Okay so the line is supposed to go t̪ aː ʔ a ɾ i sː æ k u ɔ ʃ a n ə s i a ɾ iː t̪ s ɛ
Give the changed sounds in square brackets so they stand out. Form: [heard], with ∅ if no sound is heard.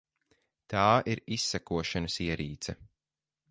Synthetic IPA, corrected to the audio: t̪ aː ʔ [i] ɾ i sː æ k u ɔ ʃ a n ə s i [ɛ] ɾ iː t̪ s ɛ